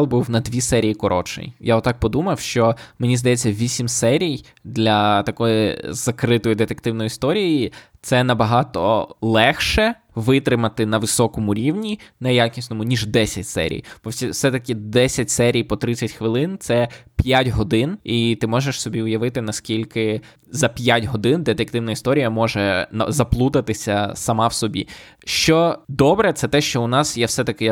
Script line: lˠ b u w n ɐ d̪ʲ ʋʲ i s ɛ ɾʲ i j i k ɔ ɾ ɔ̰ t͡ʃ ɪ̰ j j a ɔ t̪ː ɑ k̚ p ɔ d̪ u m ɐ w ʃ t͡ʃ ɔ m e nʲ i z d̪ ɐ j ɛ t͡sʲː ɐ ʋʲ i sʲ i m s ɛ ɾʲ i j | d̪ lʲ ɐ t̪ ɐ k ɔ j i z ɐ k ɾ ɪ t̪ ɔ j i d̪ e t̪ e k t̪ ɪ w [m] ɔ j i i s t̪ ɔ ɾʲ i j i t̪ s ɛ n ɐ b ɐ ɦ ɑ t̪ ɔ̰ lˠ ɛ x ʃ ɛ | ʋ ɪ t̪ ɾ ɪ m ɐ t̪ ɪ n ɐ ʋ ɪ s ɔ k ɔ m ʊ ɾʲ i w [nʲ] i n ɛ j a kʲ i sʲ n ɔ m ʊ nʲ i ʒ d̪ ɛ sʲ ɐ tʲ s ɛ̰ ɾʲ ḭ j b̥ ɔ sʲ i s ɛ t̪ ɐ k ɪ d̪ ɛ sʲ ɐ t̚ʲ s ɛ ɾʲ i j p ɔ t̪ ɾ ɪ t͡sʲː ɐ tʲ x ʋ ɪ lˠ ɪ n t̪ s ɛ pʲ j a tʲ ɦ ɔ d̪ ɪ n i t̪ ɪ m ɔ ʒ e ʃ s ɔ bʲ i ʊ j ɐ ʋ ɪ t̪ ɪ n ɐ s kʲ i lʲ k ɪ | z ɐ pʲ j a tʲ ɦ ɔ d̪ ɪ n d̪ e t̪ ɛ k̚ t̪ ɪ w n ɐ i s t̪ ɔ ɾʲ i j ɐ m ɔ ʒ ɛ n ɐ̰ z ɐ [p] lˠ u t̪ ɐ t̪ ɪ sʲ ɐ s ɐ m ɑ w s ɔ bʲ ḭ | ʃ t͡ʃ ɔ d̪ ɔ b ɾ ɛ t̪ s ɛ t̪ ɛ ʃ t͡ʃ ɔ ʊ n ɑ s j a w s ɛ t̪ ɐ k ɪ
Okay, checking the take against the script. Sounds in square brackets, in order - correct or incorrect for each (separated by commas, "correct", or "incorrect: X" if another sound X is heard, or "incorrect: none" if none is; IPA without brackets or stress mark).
incorrect: n, correct, correct